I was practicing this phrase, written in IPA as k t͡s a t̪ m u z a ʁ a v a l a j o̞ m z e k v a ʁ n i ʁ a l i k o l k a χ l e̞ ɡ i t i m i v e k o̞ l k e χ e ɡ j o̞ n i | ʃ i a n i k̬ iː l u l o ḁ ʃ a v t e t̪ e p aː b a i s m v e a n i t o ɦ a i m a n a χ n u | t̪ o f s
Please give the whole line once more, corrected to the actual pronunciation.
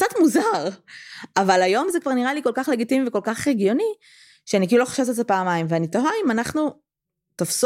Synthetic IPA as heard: k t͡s a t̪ m u z a ʁ a v a l a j o̞ m z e k v a ʁ n i ʁ a l i k o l k a χ l e̞ ɡ i t i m i v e k o̞ l k a χ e ɡ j o̞ n i | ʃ e a n i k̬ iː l u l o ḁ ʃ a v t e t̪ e p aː m a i m v e a n i t o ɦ a i m a n a χ n u | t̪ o f s